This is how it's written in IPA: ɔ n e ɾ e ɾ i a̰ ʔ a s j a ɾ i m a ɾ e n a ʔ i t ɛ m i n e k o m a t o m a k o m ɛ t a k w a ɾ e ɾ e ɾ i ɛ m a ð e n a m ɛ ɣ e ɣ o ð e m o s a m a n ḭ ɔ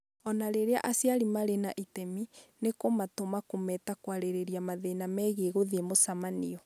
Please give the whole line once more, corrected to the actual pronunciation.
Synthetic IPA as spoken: ɔ n a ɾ e ɾ e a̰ ʔ a s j a ɾ i m a ɾ e n a ʔ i t ɛ m i n e k o m a t o m a k o m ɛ t a k w a ɾ e ɾ e ɾ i a m a ð e n a m ɛ ɣ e ɣ o ð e m o s a m a n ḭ ɔ